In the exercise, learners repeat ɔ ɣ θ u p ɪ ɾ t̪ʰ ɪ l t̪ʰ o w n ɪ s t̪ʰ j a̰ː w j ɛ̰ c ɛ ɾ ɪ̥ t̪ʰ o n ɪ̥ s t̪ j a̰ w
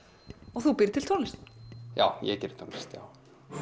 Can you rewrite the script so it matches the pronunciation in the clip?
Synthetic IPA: ɔ ɣ θ u p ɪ ɾ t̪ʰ ɪ l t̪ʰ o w n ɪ s t̪ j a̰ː w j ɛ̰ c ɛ ɾ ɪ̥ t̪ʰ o n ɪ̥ s t̪ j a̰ w